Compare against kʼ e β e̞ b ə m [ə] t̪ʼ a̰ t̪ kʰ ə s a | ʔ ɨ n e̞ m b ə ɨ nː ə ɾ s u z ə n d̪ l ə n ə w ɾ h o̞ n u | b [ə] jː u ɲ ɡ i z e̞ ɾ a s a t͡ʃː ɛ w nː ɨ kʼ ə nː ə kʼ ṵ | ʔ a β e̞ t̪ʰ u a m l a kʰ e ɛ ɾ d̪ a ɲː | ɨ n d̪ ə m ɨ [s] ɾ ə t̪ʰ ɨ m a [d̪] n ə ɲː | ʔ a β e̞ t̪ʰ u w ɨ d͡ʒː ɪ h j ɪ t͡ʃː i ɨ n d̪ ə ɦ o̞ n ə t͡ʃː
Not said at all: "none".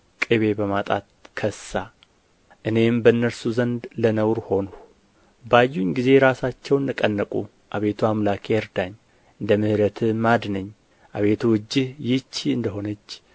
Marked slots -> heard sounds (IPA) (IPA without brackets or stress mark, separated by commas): a, a, h, d̪